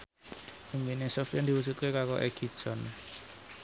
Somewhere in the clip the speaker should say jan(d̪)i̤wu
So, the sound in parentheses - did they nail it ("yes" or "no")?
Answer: yes